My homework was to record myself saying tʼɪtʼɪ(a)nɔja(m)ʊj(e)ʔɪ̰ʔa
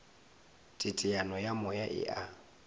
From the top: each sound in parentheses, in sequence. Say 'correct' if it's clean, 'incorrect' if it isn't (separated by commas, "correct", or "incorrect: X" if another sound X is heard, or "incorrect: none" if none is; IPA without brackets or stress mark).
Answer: correct, correct, incorrect: a